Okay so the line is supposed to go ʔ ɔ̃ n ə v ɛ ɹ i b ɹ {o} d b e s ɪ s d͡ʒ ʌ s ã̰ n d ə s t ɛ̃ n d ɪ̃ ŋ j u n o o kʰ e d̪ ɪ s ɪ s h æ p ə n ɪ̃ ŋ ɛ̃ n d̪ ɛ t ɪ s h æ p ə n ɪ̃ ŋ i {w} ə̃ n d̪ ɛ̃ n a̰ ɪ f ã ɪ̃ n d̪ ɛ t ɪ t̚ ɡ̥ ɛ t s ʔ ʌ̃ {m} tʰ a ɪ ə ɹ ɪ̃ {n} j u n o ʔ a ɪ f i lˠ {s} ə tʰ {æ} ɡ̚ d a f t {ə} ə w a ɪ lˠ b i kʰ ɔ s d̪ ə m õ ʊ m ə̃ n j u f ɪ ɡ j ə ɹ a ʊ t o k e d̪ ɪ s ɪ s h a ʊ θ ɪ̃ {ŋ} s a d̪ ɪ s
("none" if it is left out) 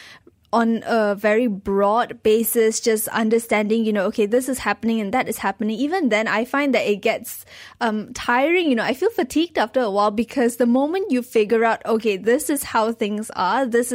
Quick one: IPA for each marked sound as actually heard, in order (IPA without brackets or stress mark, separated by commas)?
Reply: ɔ, v, m, ŋ, f, i, ə, ŋ